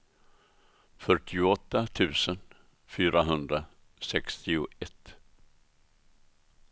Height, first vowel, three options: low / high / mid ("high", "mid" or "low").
mid